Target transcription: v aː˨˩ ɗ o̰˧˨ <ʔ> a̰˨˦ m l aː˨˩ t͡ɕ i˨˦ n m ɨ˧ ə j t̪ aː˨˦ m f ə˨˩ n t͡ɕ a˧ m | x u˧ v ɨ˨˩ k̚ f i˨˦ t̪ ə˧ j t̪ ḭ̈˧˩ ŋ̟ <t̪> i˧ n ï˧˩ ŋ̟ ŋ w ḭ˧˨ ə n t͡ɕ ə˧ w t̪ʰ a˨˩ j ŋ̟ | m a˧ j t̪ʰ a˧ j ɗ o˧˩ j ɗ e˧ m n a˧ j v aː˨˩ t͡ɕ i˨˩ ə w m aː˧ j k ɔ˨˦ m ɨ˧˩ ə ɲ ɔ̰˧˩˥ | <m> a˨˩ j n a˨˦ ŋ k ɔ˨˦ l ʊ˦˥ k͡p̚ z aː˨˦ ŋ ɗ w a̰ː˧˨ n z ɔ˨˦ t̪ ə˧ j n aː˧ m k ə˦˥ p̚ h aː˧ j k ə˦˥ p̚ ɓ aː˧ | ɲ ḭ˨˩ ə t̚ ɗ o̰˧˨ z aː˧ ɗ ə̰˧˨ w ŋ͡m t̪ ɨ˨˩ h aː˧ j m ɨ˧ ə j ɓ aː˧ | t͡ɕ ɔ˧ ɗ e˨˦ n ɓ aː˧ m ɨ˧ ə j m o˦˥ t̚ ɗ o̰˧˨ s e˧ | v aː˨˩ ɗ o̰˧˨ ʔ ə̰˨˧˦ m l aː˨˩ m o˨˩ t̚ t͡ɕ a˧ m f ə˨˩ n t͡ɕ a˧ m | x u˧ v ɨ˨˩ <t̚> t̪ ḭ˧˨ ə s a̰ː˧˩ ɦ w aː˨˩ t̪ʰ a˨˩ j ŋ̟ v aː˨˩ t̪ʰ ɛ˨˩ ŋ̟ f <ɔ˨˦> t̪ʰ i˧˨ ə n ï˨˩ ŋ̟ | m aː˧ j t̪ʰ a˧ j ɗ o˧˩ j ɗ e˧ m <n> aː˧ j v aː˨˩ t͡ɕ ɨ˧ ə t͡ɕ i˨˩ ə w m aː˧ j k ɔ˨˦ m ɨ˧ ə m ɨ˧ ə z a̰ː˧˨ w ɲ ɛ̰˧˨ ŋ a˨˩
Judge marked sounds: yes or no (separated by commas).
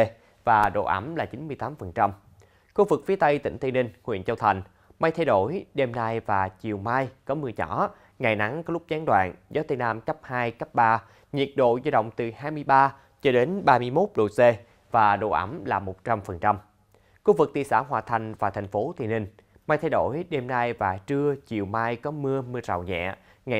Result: yes, yes, no, no, no, yes